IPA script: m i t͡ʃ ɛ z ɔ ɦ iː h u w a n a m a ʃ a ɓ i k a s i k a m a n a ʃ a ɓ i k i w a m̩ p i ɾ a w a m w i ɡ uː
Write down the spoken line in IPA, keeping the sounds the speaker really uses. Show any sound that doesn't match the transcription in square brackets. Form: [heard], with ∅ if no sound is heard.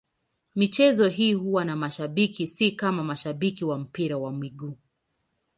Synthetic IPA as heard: m i t͡ʃ ɛ z ɔ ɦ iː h u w a n a m a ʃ a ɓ i k [i] s i k a m a [m] a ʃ a ɓ i k i w a m̩ p i ɾ a w a m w i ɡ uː